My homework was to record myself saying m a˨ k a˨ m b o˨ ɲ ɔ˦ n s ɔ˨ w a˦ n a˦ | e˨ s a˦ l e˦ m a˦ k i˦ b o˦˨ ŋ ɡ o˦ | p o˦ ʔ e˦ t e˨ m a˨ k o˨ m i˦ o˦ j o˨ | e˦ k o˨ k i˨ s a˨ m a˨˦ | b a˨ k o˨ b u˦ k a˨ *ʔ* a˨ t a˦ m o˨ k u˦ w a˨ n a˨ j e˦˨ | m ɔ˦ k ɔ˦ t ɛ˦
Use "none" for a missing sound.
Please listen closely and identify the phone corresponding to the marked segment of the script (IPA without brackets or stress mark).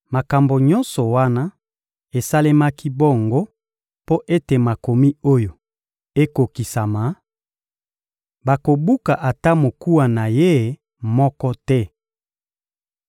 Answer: ʔ